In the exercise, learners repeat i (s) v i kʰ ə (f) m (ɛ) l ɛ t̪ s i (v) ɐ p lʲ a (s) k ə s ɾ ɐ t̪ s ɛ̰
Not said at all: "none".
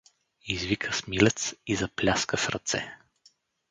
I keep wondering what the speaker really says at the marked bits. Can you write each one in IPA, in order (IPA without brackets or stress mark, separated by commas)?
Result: z, s, i, z, s